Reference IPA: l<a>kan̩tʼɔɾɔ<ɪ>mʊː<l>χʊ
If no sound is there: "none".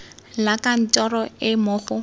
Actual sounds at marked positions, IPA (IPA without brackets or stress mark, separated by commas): a, ɪ, none